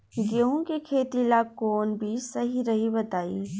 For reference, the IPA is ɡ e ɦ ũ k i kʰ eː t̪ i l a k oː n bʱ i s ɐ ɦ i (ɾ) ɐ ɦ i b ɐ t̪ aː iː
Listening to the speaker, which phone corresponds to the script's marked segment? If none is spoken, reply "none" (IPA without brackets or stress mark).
ɾ